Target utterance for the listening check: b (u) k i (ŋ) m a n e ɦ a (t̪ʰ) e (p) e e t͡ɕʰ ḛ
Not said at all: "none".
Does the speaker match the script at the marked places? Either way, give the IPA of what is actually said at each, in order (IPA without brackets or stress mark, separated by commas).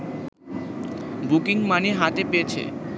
u, ŋ, t̪, p